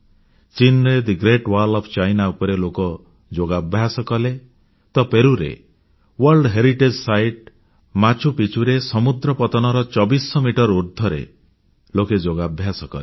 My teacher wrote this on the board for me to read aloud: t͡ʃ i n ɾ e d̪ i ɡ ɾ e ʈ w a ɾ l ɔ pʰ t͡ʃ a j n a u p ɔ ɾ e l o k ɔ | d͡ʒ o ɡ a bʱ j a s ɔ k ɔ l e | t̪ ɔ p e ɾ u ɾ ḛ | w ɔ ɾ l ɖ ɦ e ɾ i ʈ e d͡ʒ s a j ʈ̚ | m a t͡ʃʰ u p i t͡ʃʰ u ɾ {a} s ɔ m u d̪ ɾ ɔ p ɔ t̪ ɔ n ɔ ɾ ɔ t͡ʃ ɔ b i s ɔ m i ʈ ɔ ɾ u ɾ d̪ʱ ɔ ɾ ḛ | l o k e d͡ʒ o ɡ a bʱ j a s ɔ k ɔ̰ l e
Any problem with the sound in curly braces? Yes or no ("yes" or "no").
yes